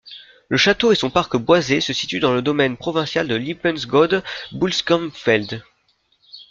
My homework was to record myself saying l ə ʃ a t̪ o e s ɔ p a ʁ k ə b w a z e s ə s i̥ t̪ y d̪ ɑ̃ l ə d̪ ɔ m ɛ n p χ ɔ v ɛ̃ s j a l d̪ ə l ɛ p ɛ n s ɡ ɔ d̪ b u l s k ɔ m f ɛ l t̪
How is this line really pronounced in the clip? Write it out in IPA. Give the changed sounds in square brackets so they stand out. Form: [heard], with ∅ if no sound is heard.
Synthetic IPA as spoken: l ə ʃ a t̪ o e s [ɔ̃] p a ʁ k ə b w a z e s ə s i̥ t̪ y d̪ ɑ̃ l ə d̪ ɔ m ɛ n p χ ɔ v ɛ̃ s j a l d̪ ə l [i] p ɛ n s ɡ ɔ d̪ b u l s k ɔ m f ɛ l [d̪]